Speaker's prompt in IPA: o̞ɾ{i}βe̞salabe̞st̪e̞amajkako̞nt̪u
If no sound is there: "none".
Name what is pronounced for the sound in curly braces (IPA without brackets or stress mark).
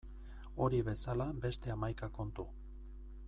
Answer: i